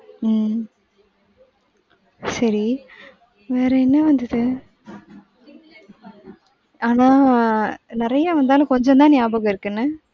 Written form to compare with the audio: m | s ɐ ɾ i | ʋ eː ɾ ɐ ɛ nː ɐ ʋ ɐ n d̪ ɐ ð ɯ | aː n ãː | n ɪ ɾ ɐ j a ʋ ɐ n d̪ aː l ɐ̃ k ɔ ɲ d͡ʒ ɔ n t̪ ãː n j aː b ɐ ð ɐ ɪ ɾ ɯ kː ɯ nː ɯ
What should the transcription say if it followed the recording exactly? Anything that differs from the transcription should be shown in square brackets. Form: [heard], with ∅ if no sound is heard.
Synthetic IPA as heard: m | s ɐ ɾ i | ʋ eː ɾ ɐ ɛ nː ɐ ʋ ɐ n d̪ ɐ ð ɯ | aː n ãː | n ɪ ɾ ɐ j a ʋ ɐ n d̪ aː l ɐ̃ k ɔ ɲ d͡ʒ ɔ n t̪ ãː n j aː b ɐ [ɣ] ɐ ɪ ɾ ɯ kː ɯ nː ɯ

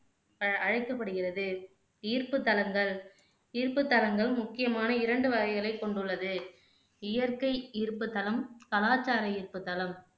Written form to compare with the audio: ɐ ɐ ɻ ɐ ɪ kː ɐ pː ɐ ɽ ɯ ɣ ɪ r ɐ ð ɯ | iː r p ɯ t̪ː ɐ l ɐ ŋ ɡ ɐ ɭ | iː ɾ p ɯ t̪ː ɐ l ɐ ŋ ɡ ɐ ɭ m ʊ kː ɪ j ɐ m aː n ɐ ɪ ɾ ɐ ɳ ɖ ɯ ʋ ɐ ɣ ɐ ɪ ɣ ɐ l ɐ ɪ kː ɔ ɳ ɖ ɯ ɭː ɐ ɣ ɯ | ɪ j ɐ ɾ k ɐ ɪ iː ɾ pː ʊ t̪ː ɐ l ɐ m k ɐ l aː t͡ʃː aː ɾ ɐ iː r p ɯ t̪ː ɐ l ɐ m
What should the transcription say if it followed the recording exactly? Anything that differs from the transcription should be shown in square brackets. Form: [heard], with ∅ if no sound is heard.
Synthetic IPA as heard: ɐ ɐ ɻ ɐ ɪ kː ɐ pː ɐ ɽ ɯ ɣ ɪ r ɐ ð ɯ | iː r p ɯ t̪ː ɐ l ɐ ŋ ɡ ɐ ɭ | iː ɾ p ɯ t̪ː ɐ l ɐ ŋ ɡ ɐ ɭ m ʊ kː ɪ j ɐ m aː n ɐ ɪ ɾ ɐ ɳ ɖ ɯ ʋ ɐ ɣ ɐ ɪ ɣ ɐ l ɐ ɪ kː ɔ ɳ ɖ ɯ ɭː ɐ [ð] ɯ | ɪ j ɐ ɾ k ɐ ɪ iː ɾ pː [ɯ] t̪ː ɐ l ɐ m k ɐ l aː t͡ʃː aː ɾ ɐ iː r p ɯ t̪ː ɐ l ɐ m

